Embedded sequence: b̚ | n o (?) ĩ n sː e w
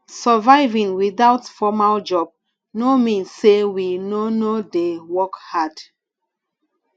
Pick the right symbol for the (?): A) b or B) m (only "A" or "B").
B